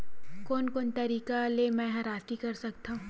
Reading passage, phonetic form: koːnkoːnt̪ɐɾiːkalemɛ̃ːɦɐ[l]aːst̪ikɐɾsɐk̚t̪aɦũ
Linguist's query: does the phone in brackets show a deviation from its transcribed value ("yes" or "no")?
yes